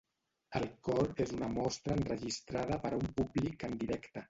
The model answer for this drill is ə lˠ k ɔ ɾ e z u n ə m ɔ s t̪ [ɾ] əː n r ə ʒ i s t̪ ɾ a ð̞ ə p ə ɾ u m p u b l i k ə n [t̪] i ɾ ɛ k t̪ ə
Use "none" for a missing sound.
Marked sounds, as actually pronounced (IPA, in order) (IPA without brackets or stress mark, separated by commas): ɾ, d̪